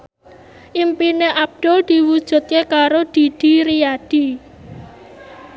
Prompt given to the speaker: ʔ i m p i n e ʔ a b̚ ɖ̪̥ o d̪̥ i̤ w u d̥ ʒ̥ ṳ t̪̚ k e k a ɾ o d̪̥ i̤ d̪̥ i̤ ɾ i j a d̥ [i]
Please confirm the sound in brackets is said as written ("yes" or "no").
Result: yes